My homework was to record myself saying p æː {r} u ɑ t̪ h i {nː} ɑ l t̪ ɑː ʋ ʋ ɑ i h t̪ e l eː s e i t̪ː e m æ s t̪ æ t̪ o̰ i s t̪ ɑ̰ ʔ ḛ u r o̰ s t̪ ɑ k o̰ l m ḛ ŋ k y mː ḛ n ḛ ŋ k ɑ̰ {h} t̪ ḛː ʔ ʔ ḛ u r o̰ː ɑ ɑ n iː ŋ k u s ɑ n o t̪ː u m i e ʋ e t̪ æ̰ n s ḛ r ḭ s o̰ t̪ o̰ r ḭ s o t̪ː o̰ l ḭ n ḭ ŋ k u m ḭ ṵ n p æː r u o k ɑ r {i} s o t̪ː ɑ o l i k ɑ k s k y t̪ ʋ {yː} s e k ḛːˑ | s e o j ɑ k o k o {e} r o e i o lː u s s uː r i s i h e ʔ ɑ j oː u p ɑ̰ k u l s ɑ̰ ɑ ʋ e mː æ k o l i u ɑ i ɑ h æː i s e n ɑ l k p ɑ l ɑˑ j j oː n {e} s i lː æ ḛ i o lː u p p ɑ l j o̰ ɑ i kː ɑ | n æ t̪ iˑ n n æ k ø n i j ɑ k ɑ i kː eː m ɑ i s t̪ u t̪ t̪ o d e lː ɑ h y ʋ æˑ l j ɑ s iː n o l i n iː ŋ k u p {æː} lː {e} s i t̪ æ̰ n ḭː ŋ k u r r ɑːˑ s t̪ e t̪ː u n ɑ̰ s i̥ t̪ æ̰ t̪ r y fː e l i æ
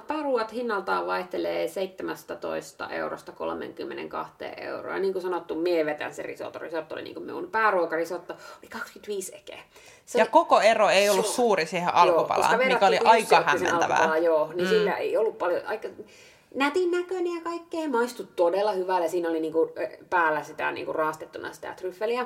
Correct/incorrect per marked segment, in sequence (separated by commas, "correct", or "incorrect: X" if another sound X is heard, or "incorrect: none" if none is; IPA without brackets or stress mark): correct, correct, correct, correct, incorrect: iː, correct, incorrect: i, correct, incorrect: æ